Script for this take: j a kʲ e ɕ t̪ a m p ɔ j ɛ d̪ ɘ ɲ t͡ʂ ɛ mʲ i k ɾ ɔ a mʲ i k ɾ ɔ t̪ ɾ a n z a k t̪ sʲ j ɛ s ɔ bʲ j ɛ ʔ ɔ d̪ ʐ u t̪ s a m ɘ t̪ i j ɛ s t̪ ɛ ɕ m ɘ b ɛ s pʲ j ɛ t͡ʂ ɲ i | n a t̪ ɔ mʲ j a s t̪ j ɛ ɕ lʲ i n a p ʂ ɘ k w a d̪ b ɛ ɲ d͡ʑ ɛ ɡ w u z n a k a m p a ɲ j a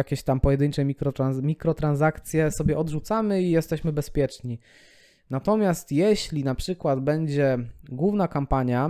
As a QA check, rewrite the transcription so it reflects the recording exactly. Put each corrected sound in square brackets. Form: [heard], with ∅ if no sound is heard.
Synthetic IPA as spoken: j a kʲ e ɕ t̪ a m p ɔ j ɛ d̪ ɘ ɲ t͡ʂ ɛ mʲ i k ɾ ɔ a mʲ i k ɾ ɔ t̪ ɾ a n z a k t̪ sʲ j ɛ s ɔ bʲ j ɛ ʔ ɔ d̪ ʐ u t̪ s a m ɘ [∅] i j ɛ s t̪ ɛ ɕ m ɘ b ɛ s pʲ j ɛ t͡ʂ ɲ i | n a t̪ ɔ mʲ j a s t̪ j ɛ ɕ lʲ i n a p ʂ ɘ k w a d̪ b ɛ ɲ d͡ʑ ɛ ɡ w u [v] n a k a m p a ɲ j a